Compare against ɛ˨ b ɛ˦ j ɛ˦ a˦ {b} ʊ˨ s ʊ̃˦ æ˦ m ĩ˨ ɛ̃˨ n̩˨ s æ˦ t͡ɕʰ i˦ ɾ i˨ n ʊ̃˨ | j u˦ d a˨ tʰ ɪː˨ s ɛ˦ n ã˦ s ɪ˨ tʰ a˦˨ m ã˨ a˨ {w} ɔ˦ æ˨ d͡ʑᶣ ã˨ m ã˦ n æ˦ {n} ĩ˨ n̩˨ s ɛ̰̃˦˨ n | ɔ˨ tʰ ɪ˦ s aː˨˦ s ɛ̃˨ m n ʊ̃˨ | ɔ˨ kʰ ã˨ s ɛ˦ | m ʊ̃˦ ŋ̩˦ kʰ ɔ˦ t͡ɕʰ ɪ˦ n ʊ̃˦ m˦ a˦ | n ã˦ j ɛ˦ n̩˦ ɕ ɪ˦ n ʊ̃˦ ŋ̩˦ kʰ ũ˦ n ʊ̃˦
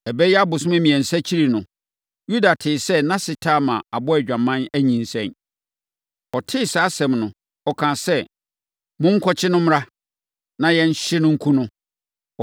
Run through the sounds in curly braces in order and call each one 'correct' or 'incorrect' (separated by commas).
correct, incorrect, incorrect